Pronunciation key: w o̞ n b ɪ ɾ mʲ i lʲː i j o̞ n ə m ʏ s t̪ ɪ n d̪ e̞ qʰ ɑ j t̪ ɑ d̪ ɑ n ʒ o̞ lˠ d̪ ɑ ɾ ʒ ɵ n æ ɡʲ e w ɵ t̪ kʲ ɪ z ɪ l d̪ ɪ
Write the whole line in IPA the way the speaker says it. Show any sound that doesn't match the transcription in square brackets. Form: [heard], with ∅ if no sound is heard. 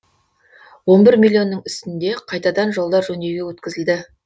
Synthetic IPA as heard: w o̞ n b ɪ ɾ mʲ i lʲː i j o̞ [nː] ə [ɴ] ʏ s t̪ ɪ n d̪ e̞ qʰ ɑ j t̪ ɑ d̪ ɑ n ʒ o̞ lˠ d̪ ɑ ɾ ʒ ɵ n [e] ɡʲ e w ɵ t̪ kʲ ɪ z ɪ l d̪ ɪ